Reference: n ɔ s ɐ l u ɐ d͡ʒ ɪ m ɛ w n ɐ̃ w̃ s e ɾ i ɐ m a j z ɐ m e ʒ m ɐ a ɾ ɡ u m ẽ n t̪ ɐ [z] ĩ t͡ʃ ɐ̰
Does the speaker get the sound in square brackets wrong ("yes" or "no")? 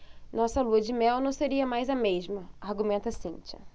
yes